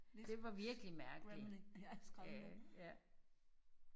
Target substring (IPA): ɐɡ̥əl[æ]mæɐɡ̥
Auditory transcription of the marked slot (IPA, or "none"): i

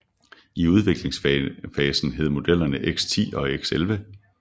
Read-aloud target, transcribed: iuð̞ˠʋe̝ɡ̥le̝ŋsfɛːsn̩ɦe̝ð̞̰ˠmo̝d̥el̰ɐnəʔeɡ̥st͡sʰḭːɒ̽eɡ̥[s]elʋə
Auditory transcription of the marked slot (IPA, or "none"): s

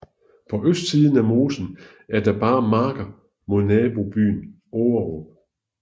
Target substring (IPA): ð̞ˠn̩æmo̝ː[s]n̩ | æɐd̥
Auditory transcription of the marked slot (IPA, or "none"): s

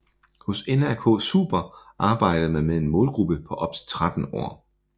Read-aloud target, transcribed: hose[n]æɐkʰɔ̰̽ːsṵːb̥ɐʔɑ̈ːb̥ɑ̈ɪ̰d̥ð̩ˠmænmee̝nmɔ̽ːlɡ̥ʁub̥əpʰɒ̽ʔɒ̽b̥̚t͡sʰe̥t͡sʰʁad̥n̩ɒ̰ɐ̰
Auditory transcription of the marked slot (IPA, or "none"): n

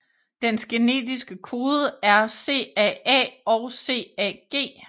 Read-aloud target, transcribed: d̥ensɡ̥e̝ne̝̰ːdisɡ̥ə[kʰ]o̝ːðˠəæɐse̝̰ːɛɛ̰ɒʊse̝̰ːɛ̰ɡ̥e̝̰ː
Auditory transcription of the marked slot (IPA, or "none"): kʰ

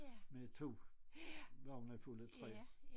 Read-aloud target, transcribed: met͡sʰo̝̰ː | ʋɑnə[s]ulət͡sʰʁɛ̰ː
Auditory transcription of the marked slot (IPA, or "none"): f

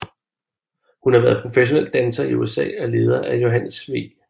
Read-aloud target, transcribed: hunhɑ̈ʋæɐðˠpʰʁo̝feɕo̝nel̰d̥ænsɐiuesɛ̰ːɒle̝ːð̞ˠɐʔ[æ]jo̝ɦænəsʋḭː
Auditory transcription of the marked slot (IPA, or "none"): æ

